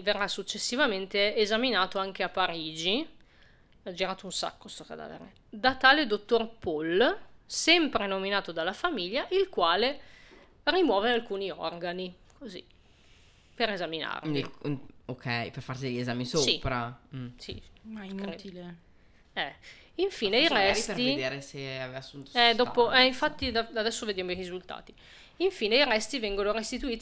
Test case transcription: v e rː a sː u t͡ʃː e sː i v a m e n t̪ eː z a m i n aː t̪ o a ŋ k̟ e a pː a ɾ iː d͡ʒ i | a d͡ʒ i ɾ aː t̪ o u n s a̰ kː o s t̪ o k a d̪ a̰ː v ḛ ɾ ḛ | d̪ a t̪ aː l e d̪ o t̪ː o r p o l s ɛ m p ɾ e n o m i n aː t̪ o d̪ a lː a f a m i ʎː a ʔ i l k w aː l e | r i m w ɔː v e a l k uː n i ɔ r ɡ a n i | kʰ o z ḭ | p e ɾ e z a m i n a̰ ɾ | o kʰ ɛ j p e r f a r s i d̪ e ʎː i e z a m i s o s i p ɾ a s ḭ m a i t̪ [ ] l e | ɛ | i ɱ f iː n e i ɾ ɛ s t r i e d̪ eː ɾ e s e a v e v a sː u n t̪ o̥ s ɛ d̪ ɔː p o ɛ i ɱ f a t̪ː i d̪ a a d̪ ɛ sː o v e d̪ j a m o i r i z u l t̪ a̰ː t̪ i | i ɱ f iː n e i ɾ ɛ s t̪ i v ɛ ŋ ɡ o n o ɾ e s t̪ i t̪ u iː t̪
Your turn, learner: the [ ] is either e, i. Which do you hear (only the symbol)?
i